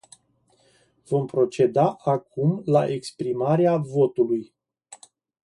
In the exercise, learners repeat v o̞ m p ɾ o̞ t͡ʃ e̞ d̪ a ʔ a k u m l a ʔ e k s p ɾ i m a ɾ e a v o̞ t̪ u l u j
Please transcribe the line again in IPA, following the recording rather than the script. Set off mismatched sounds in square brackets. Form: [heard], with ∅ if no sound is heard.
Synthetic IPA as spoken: v o̞ m p ɾ o̞ t͡ʃ e̞ d̪ a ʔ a k u m l a ʔ e k s p ɾ i m a ɾ e a v o̞ t̪ u l u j